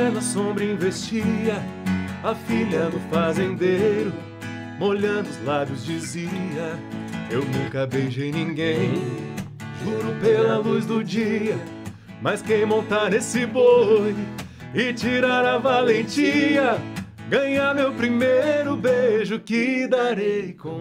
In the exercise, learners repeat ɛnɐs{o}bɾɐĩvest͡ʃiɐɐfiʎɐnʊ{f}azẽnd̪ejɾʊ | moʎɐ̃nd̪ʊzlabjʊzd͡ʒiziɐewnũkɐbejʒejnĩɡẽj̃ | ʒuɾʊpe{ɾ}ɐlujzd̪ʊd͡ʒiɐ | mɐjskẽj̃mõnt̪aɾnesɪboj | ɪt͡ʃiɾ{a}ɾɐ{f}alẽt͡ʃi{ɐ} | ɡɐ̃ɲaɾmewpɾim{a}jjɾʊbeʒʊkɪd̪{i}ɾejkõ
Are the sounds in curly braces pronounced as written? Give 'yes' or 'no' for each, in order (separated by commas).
no, yes, no, yes, no, yes, no, no